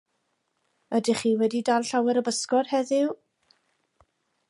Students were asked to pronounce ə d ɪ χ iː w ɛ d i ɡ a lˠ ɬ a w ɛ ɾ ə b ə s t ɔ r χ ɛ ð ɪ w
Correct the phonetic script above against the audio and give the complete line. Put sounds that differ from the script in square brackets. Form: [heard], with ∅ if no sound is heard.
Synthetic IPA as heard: ə d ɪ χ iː w ɛ d i [d] a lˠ ɬ a w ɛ ɾ ə b ə s [k] ɔ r [h] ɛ ð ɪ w